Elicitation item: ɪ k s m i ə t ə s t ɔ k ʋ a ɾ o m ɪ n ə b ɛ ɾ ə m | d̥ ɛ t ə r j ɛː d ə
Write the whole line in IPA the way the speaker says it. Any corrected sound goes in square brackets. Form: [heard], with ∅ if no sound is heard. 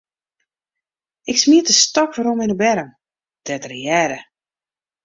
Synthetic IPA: ɪ k s m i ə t ə s t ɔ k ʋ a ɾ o m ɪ n ə b ɛ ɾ ə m | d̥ ɛ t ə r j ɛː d ə